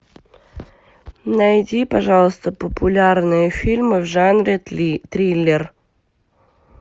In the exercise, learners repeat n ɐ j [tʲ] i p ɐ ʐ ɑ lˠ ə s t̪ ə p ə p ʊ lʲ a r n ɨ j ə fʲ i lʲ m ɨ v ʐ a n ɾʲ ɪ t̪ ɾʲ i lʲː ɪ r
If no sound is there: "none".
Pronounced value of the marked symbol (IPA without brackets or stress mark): dʲ